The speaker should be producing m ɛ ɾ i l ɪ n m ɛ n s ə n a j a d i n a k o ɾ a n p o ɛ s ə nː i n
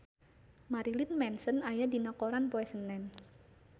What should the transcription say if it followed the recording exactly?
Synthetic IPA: m a ɾ i l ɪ n m ɛ n s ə n a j a d i n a k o ɾ a n p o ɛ s ə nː ɛ n